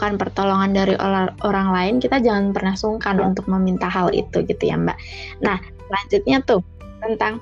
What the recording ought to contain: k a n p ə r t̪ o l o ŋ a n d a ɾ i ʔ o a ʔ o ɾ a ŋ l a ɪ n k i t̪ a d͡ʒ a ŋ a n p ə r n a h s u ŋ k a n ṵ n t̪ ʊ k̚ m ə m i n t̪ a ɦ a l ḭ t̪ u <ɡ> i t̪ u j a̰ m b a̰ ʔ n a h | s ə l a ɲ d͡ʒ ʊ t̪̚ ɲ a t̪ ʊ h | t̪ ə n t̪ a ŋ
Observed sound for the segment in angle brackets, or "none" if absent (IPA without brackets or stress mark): ɡ